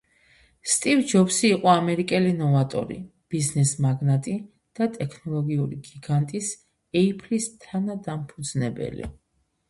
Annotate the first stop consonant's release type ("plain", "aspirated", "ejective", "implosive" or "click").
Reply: ejective